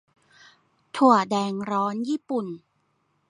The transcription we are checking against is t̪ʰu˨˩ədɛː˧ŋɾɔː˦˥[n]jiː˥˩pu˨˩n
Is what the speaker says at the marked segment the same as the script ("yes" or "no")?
yes